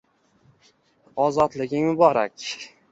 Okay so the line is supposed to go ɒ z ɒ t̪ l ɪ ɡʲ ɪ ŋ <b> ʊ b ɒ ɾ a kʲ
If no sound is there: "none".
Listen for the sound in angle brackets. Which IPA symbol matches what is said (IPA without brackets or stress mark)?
m